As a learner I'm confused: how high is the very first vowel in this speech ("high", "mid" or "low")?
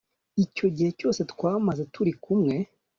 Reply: high